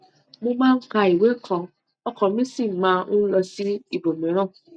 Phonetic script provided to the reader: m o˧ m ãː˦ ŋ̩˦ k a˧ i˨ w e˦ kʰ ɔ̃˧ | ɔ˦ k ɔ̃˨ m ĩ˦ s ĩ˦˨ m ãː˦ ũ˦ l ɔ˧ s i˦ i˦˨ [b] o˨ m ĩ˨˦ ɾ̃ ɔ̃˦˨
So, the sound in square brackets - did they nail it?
yes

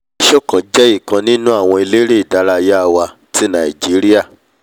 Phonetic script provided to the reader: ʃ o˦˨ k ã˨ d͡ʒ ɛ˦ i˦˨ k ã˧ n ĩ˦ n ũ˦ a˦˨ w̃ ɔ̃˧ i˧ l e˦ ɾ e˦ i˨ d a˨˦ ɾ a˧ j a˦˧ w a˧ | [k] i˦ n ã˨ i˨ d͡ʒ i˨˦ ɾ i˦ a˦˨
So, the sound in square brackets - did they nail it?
no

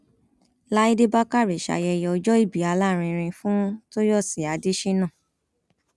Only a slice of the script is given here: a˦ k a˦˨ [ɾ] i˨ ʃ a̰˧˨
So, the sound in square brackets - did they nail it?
yes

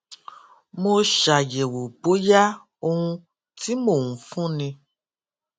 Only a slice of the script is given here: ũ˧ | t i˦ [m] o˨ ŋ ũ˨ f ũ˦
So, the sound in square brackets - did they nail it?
yes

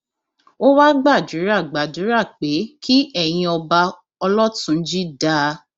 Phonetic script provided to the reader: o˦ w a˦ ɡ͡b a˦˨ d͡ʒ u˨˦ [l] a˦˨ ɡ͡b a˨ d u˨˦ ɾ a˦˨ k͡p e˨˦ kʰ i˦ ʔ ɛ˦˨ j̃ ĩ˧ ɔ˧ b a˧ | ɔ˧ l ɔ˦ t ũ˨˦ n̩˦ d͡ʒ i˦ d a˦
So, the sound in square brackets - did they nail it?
no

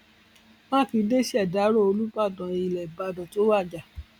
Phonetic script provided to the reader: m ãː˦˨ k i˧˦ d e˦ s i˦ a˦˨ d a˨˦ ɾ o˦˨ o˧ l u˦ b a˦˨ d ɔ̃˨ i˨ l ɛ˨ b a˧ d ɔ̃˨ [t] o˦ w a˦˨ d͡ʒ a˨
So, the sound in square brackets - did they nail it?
yes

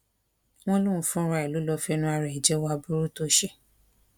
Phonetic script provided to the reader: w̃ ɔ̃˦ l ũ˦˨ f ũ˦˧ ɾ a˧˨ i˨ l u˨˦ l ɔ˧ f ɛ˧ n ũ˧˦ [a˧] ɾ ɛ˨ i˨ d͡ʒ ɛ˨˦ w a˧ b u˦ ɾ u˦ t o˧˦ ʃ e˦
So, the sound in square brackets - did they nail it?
yes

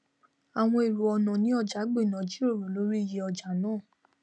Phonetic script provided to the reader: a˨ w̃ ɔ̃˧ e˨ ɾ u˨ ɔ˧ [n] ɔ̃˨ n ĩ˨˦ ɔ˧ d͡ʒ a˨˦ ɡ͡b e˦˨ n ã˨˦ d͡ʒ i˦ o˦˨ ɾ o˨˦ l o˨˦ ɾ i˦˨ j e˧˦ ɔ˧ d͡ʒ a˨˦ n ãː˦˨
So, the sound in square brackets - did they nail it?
yes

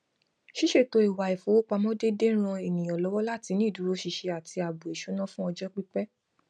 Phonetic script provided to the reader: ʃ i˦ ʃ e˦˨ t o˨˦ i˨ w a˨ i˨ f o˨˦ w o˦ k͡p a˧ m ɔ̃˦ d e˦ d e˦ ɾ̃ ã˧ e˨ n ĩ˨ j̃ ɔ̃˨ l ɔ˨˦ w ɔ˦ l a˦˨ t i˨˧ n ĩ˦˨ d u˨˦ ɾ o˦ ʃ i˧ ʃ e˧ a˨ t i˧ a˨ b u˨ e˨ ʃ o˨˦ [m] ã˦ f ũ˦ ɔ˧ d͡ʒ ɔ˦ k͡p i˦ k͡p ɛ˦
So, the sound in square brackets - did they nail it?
no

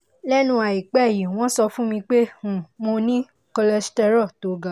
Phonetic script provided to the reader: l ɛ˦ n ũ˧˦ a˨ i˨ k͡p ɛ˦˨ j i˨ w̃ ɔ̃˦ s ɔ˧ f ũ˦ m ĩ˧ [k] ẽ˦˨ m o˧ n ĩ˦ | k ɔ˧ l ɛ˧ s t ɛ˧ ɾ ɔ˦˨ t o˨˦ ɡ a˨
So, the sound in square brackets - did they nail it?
no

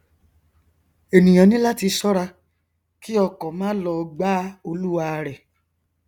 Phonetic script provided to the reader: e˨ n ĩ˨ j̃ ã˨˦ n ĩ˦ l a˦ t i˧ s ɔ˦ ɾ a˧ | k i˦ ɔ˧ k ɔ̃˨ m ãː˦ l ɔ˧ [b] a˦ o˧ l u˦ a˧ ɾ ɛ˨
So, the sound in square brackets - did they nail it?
no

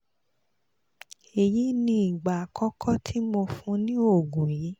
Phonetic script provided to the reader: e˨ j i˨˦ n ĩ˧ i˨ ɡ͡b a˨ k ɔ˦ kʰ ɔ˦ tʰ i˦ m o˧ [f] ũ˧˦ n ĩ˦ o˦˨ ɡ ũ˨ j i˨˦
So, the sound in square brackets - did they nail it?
yes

